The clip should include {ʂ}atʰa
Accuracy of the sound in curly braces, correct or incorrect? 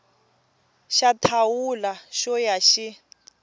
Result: incorrect